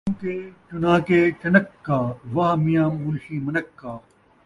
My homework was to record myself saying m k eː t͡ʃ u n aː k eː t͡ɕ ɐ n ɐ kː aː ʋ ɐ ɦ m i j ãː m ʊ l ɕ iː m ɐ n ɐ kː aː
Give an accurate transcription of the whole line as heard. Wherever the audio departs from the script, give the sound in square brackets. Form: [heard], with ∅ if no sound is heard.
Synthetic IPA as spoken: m k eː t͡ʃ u n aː k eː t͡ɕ ɐ n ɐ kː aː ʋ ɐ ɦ m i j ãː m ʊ l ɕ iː m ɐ n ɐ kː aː